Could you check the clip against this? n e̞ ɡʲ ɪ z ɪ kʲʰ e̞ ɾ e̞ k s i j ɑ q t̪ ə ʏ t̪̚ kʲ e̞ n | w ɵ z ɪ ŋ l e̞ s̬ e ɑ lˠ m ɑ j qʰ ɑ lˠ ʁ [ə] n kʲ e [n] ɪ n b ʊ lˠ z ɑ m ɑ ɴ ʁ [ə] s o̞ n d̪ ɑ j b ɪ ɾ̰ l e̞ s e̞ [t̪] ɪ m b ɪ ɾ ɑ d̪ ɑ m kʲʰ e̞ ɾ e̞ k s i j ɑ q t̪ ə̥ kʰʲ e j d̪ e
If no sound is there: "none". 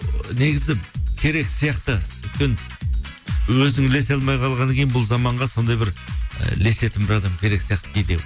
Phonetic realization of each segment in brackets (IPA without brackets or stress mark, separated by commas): ɑ, none, ɑ, t̪